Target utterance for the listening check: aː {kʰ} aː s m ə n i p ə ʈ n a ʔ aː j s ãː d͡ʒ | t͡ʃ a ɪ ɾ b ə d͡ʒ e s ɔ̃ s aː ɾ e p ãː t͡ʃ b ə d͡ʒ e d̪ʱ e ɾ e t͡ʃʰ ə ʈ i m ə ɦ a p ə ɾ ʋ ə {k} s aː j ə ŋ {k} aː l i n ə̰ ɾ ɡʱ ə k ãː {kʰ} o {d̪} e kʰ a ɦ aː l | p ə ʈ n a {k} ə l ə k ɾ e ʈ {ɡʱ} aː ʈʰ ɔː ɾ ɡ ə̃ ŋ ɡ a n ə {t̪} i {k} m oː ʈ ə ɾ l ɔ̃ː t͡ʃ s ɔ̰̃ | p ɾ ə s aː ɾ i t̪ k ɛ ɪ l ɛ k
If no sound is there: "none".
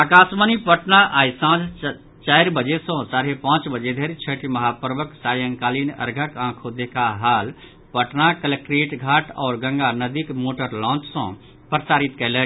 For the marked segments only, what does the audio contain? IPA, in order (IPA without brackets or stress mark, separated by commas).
k, k, k, kʰ, d̪, k, ɡʱ, d̪, k